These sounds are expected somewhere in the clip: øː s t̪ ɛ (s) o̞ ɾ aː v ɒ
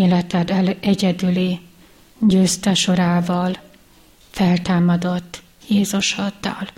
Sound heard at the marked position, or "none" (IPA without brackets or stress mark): ʃ